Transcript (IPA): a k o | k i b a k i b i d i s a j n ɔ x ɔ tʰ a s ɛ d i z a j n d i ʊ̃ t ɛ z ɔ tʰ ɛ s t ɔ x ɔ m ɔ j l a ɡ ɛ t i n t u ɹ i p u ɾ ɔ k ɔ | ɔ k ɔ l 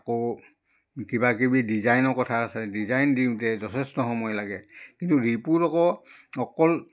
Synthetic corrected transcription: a k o | k i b a k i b i d i z a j n ɔ k ɔ tʰ a s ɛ d i z a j n d i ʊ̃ t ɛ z ɔ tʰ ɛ s t ɔ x ɔ m ɔ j l a ɡ ɛ k i n t u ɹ i p u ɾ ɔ k ɔ | ɔ k ɔ l